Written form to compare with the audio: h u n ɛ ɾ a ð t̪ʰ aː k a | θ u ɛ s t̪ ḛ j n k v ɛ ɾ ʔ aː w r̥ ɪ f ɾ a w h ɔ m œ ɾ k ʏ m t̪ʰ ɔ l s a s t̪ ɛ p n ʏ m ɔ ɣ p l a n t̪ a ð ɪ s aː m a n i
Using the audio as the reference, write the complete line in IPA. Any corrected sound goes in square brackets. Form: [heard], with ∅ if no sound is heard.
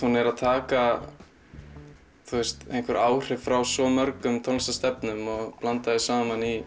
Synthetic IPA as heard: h u n ɛ ɾ a ð t̪ʰ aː k a | θ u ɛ s t̪ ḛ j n k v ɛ ɾ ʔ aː w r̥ ɪ f ɾ a w [s] ɔ m œ ɾ k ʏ m t̪ʰ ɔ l s a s t̪ ɛ p n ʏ m ɔ ɣ p l a n t̪ a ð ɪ s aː m a n i